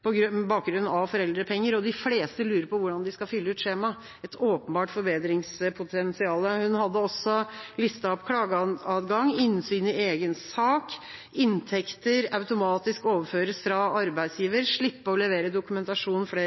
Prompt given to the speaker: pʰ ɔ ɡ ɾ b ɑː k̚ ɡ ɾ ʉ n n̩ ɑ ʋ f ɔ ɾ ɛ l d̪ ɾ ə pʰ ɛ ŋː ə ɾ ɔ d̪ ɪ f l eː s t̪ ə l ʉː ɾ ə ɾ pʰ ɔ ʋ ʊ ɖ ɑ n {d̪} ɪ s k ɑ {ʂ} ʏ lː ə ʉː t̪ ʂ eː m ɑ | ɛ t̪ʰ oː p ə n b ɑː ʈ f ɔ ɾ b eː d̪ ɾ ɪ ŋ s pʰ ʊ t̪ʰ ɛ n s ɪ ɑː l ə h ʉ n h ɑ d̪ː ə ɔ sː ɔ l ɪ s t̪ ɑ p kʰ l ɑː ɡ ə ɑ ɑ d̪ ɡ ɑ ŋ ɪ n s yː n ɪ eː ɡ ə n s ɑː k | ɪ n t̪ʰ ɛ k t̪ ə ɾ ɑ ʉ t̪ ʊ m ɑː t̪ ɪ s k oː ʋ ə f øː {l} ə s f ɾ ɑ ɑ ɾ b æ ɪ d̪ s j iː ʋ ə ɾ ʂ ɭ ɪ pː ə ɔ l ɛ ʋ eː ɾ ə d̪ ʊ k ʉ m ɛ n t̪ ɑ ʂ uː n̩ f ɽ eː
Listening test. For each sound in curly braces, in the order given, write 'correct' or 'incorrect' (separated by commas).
correct, incorrect, incorrect